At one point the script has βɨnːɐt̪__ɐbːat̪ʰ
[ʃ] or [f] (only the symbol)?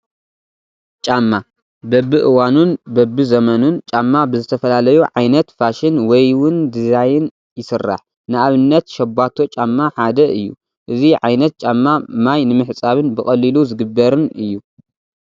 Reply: ʃ